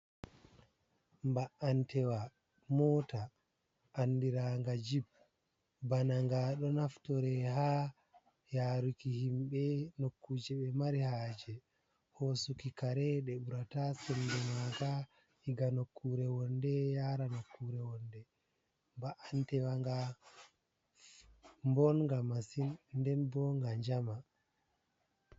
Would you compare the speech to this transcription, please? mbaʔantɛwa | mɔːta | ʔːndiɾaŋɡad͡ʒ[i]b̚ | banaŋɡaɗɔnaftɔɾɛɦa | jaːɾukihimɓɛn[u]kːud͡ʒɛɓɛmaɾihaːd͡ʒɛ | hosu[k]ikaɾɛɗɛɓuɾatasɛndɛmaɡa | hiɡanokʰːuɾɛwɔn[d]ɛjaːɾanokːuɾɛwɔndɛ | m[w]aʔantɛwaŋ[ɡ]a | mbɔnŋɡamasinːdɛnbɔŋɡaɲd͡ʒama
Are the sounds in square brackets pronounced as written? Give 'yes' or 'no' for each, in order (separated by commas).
yes, no, yes, yes, no, yes